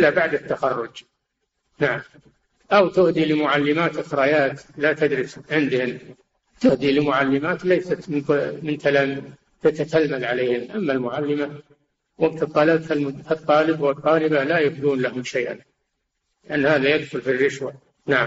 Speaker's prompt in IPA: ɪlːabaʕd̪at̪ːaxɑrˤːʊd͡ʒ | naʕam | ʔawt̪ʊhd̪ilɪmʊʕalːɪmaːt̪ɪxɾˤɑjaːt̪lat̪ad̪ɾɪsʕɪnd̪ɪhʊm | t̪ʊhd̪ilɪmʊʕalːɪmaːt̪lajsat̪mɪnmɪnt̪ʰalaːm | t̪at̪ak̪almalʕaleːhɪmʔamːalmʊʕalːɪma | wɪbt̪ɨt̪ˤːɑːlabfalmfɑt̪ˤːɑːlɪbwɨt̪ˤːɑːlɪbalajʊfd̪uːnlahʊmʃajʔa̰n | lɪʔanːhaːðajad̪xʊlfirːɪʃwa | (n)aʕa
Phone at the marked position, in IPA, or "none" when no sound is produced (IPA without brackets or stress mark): n